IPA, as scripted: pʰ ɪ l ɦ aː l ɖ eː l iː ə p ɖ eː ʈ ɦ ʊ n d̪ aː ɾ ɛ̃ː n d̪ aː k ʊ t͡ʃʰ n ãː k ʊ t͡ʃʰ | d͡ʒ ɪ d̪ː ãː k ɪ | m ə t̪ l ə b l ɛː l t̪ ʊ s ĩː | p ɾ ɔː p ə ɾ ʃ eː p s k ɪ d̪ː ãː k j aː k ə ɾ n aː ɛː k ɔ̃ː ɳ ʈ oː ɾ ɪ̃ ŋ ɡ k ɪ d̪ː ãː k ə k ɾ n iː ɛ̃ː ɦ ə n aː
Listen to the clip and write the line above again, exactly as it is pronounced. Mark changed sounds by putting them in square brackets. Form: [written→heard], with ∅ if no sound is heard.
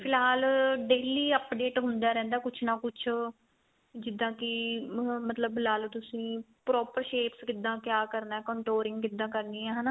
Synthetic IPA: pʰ ɪ l ɦ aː l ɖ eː l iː ə p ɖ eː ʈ ɦ ʊ n d̪ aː ɾ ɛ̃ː n d̪ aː k ʊ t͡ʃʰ n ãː k ʊ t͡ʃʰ | d͡ʒ ɪ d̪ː ãː k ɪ | m ə t̪ l ə b l [ɛː→aː] l t̪ ʊ s ĩː | p ɾ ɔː p ə ɾ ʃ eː p s k ɪ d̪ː ãː k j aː k ə ɾ n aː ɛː k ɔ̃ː ɳ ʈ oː ɾ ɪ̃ ŋ ɡ k ɪ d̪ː ãː k ə [k→∅] ɾ n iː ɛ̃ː ɦ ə n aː